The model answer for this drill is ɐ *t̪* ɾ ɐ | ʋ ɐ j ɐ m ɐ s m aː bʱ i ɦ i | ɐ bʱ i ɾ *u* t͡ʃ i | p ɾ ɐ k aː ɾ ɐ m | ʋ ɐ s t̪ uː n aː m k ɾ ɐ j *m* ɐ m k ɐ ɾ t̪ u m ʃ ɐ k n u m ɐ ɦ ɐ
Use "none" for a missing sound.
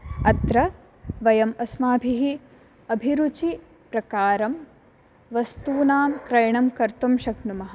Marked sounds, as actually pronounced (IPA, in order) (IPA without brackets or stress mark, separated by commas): t̪, u, ɳ